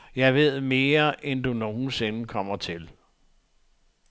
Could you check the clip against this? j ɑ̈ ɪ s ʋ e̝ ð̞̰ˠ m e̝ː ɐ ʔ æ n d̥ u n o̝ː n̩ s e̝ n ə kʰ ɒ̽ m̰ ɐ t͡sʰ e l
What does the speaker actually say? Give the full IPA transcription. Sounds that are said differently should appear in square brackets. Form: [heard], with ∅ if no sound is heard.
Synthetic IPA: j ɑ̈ ɪ [∅] ʋ e̝ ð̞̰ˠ m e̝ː ɐ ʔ [e] n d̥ u n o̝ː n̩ s e̝ n ə kʰ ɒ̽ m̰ ɐ t͡sʰ e l